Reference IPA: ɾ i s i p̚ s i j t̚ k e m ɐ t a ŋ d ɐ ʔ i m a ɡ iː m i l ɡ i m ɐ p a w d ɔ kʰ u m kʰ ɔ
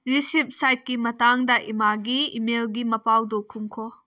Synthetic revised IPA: ɾ i s i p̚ s a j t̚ k i m ɐ t a ŋ d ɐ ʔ i m a ɡ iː m e l ɡ i m ɐ p a w d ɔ kʰ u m kʰ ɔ